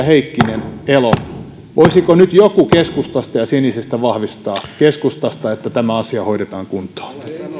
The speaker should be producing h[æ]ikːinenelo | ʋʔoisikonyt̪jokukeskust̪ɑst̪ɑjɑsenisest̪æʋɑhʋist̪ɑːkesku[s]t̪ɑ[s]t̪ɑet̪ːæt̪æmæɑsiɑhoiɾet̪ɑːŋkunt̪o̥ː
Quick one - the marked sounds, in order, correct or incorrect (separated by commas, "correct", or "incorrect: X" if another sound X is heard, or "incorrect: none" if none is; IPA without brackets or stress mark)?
incorrect: e, correct, correct